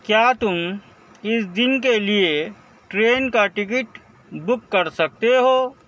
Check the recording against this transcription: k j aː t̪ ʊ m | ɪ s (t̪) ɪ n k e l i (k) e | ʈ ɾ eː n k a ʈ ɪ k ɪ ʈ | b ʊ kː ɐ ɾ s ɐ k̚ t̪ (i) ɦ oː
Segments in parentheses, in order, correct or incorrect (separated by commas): incorrect, incorrect, incorrect